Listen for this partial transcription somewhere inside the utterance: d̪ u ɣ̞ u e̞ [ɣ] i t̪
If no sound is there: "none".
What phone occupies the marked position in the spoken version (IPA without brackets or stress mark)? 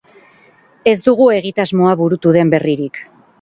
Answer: ɣ